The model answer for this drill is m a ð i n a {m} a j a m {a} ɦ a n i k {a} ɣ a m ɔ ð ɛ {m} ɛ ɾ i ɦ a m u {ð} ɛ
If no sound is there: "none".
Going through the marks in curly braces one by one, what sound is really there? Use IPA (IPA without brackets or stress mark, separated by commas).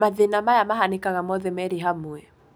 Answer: m, a, a, m, none